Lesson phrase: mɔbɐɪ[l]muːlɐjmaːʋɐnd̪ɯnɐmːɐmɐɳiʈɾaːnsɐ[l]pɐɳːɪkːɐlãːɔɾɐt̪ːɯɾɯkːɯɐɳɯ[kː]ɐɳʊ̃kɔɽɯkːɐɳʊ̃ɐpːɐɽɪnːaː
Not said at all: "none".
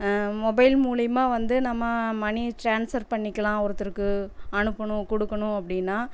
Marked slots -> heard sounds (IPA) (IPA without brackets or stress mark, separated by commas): l, ɾ, pː